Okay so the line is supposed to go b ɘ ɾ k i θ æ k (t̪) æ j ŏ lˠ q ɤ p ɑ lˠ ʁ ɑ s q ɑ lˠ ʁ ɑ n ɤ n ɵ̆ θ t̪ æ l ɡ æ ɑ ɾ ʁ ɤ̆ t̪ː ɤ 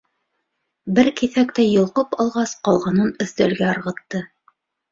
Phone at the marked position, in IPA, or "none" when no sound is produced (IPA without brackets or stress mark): t̪